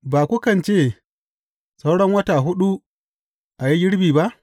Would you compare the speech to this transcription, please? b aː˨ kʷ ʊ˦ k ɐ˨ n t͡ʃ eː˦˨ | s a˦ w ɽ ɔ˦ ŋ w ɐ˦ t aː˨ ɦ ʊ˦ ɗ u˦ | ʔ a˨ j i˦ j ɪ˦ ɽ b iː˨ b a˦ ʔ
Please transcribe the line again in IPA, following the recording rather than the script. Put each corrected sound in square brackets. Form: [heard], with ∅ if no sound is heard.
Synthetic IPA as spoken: b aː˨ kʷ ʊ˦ k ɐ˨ n t͡ʃ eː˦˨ | s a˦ w ɽ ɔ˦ ŋ w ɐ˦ t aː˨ ɦ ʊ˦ ɗ u˦ | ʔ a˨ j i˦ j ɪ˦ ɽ b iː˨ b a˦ ʔ